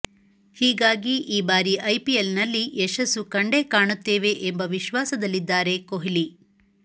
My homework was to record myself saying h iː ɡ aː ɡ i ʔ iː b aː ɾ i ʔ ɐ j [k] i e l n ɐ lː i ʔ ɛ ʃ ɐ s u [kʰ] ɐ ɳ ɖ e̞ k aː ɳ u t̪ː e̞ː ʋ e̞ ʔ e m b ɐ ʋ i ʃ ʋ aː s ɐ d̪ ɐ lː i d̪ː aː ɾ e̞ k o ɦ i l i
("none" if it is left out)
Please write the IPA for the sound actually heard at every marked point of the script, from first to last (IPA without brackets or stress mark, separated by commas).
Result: p, k